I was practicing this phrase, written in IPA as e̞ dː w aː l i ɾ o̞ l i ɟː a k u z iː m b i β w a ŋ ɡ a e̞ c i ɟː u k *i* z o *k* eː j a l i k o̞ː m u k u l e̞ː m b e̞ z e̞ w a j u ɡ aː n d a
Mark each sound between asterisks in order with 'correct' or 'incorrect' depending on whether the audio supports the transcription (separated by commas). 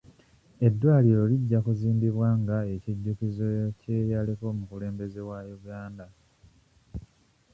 correct, incorrect